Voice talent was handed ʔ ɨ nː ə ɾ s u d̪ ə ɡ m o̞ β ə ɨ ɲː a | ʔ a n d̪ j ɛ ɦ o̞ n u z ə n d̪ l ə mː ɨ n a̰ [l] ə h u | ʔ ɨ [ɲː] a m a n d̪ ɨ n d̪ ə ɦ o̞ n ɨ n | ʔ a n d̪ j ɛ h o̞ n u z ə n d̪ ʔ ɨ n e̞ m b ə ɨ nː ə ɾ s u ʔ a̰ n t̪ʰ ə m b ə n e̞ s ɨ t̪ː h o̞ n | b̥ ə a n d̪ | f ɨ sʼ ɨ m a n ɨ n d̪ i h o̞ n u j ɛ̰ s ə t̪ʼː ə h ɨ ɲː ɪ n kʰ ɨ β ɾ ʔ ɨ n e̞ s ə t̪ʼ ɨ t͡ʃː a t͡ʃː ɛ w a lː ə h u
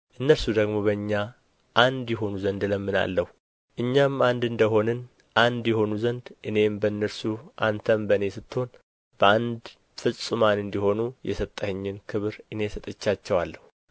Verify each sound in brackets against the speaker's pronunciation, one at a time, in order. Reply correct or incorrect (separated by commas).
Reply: incorrect, correct